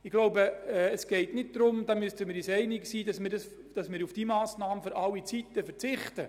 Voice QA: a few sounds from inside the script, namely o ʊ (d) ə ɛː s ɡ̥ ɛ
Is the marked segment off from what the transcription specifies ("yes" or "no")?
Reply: yes